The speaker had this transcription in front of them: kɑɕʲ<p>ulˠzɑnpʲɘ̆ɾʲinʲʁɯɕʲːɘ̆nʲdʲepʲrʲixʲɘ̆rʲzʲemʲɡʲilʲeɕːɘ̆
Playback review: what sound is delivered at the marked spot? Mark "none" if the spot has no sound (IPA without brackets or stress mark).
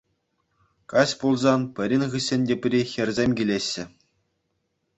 p